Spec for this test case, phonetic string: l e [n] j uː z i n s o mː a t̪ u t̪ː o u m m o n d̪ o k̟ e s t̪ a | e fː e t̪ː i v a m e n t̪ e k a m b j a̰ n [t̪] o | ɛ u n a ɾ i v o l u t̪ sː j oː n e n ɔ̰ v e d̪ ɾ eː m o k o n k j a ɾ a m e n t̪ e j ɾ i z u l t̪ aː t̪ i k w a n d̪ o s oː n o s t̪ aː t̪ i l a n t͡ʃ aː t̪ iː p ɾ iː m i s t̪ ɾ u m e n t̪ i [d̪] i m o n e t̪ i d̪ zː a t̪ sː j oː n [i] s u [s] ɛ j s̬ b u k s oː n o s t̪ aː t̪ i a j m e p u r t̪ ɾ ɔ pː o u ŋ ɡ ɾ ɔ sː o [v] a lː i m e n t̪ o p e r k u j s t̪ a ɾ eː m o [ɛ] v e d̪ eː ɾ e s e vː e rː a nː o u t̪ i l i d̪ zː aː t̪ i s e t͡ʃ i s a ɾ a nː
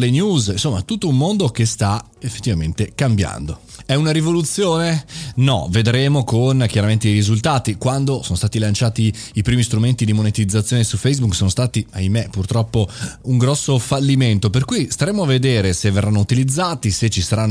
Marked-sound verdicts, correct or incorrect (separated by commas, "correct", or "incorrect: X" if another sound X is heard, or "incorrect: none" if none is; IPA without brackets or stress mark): correct, incorrect: d̪, correct, incorrect: e, incorrect: f, incorrect: f, incorrect: a